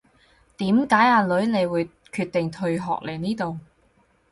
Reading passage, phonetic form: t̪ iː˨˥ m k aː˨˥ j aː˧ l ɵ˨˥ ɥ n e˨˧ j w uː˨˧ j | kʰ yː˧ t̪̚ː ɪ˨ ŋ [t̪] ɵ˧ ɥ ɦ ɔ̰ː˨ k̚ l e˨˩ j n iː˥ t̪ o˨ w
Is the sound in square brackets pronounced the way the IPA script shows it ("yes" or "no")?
no